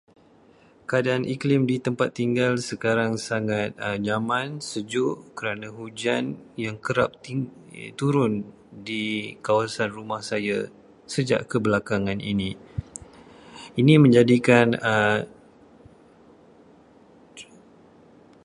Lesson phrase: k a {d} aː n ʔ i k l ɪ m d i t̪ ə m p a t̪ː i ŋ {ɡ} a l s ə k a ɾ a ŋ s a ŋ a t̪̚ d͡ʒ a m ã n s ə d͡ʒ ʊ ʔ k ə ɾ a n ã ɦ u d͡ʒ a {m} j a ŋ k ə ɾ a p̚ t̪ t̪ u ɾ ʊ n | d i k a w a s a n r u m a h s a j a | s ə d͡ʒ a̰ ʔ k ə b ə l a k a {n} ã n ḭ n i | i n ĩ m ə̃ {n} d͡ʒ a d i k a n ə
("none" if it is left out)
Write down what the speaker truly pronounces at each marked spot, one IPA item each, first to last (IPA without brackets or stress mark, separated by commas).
d, ɡ, n, ŋ, ɲ